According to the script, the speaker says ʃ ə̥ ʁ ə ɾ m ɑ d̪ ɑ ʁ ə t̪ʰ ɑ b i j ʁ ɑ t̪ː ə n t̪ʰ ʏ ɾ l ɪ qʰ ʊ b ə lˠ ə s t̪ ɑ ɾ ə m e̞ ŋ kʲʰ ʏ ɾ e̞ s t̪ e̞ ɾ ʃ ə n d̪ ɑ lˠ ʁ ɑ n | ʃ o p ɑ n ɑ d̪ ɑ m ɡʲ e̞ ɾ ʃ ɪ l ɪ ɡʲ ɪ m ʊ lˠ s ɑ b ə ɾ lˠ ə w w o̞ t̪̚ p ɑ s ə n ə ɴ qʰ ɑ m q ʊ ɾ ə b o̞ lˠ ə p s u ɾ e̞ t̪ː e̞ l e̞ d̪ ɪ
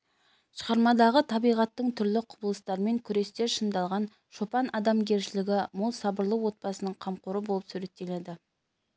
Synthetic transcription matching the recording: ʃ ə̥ ʁ ɑ ɾ m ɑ d̪ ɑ ʁ ə t̪ʰ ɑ b i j ʁ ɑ t̪ː ə ɴ t̪ʰ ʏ ɾ l ɪ qʰ ʊ b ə lˠ ə s t̪ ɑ ɾ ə m e̞ ŋ kʲʰ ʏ ɾ e̞ s t̪ e̞ ɾ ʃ ə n d̪ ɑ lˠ ʁ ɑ n | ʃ o p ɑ n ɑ d̪ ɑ m ɡʲ e̞ ɾ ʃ ɪ l ɪ ɡʲ ɪ m ʊ lˠ s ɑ b ə ɾ lˠ ə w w o̞ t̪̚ p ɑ s ə n ə ɴ qʰ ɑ m q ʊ ɾ ə b o̞ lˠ ə p s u ɾ e̞ t̪ː e̞ l e̞ d̪ ɪ